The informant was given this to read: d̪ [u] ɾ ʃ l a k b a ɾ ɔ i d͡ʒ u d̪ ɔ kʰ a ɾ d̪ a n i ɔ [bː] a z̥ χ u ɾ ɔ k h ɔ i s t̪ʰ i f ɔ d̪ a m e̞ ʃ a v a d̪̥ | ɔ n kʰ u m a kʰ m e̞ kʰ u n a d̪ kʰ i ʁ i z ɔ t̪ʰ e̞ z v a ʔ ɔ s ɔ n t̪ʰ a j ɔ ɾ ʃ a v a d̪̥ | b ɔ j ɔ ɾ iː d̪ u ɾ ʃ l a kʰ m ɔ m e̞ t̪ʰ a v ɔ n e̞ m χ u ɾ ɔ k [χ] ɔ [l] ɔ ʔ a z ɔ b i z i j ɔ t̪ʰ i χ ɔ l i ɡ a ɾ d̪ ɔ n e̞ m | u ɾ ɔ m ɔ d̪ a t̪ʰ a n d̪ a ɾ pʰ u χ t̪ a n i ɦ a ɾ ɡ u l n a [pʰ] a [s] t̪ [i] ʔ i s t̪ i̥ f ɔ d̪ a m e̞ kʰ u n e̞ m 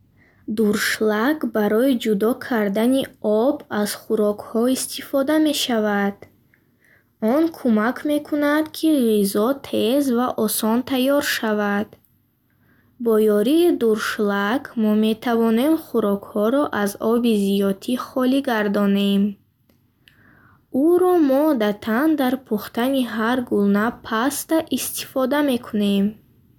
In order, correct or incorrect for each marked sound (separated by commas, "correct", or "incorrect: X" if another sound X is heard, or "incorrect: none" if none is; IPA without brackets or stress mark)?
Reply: correct, incorrect: b, incorrect: h, incorrect: ɾ, correct, correct, incorrect: a